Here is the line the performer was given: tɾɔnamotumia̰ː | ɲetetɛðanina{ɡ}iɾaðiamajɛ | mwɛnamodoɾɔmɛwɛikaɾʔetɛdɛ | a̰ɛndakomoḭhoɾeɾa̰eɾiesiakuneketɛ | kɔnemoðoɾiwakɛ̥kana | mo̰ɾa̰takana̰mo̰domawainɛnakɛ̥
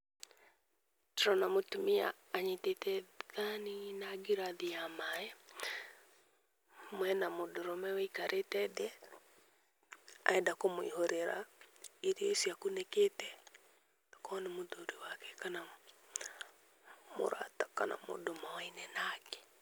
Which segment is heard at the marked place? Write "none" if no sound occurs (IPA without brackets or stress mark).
ɡ